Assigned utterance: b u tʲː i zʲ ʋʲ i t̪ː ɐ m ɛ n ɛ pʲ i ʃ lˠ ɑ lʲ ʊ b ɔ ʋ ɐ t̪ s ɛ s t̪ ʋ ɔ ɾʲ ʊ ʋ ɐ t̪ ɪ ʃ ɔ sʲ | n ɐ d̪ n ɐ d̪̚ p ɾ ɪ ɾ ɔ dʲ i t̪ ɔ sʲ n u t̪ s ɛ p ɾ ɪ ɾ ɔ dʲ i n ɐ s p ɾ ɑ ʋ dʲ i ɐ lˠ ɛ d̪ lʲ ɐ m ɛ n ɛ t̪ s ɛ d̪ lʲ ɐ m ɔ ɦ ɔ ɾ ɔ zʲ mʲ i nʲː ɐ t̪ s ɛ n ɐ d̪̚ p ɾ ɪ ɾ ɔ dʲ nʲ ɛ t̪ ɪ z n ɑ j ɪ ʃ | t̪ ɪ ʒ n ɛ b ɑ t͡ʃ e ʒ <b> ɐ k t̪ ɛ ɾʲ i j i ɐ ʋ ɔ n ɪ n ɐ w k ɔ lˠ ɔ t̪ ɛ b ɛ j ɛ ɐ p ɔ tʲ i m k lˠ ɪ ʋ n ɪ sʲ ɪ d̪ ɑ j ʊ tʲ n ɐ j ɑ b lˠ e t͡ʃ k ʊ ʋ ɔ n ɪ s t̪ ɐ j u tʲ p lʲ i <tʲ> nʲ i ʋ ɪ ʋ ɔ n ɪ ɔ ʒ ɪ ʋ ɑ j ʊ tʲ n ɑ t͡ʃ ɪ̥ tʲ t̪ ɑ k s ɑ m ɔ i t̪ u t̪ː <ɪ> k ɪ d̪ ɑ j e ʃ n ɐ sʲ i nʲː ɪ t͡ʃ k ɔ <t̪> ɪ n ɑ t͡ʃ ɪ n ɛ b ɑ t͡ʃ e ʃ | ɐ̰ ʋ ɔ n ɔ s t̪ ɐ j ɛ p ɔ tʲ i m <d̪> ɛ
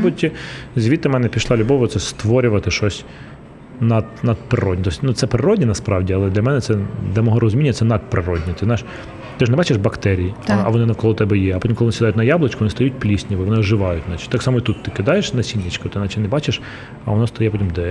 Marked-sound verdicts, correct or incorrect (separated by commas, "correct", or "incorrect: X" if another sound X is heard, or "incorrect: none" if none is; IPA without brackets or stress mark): correct, incorrect: sʲ, correct, correct, correct